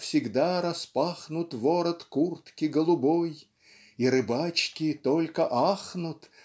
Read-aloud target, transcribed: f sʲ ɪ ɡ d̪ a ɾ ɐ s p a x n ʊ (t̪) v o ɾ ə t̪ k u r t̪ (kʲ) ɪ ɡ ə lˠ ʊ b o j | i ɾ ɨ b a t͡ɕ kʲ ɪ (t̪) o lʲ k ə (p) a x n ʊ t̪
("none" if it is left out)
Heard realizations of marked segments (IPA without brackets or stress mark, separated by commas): t̪, kʲ, t̪, ʔ